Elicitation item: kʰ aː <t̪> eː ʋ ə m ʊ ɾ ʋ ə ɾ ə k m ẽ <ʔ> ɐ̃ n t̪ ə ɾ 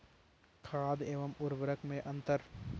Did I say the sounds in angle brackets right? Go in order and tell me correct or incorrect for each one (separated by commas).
incorrect, correct